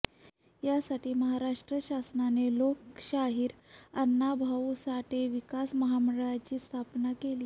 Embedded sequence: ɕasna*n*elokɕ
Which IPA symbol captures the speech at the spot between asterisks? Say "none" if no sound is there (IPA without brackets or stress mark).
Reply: n